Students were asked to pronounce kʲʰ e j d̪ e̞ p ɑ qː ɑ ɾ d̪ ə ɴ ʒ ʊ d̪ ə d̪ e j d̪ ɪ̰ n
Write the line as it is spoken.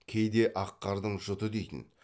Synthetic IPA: kʲʰ e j d̪ e̞ ʔ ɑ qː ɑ ɾ d̪ ə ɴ ʒ ʊ t̪ ə d̪ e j t̪ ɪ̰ n